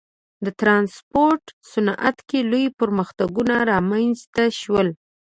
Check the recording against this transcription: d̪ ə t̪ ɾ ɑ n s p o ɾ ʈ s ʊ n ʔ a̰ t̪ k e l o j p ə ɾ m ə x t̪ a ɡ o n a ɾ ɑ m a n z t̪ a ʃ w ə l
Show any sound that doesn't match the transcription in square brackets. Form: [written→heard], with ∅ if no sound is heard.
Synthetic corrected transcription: d̪ ə t̪ ɾ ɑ n s p o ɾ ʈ s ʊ n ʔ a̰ t̪ k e l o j p ə ɾ m ə x t̪ a ɡ [o→u] n a ɾ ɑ m a n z t̪ a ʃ w ə l